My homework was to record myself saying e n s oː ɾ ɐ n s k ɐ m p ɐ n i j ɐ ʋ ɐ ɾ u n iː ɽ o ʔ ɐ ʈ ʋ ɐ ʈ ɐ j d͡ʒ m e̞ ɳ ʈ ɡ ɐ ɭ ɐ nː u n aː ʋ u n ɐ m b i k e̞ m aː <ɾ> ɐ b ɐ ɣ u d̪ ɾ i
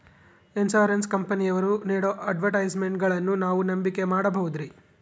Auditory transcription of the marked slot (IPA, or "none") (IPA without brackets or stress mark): ɽ